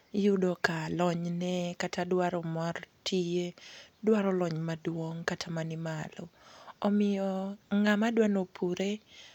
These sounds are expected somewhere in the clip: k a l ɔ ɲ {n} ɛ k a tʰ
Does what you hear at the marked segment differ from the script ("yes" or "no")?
no